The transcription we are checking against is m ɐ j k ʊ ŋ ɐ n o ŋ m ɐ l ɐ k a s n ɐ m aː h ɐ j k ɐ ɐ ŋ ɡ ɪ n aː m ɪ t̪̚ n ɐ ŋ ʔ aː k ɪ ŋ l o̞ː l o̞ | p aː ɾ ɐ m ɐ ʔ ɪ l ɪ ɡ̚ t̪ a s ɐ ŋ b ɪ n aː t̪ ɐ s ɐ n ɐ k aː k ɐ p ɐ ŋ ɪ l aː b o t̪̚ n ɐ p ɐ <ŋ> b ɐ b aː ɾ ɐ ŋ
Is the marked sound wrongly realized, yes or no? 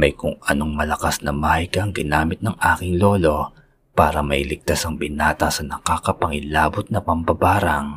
yes